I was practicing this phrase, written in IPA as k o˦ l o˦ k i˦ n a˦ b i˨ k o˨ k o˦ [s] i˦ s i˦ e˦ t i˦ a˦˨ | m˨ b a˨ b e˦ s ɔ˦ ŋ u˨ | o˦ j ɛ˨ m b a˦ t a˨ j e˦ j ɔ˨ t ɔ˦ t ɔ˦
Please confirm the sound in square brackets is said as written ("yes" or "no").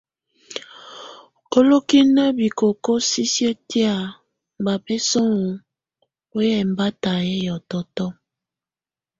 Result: yes